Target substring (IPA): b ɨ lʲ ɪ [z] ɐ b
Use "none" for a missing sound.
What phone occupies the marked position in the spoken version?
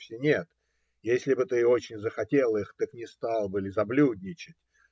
z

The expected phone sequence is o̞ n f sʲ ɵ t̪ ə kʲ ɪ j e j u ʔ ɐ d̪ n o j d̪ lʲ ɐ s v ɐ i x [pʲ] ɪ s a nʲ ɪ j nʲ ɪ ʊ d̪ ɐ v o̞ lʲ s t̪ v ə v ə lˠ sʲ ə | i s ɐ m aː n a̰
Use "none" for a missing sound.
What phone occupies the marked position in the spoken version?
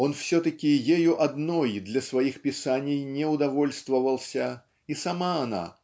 pʲ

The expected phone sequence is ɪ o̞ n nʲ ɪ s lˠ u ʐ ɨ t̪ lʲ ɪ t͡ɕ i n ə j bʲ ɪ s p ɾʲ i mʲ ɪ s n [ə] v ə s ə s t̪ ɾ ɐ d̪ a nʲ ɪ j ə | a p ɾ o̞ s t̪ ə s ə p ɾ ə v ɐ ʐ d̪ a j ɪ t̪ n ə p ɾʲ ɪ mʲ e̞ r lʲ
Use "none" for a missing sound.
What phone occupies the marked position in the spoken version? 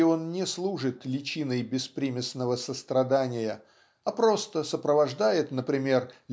ə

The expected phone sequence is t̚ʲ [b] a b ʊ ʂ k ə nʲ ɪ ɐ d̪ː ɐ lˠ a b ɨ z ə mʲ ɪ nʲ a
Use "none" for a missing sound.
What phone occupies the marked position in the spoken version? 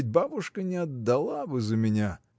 b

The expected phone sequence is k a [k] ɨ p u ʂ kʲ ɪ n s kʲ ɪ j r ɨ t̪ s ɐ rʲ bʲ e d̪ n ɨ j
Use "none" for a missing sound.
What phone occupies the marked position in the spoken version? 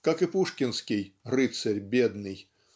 k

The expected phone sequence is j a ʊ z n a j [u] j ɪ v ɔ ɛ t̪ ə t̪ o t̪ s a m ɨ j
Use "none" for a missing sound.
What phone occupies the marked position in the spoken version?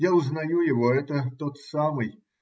u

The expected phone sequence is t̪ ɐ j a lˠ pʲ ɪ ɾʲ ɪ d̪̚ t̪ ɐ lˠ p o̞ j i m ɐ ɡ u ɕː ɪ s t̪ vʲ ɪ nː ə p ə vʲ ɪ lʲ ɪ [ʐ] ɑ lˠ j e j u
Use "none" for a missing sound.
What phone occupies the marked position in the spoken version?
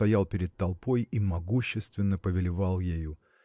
v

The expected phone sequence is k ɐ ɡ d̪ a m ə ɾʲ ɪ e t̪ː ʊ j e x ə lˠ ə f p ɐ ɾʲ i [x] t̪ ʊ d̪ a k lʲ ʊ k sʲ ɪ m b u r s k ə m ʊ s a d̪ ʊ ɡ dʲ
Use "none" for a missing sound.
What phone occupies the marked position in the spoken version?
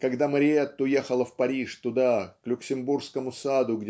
ʂ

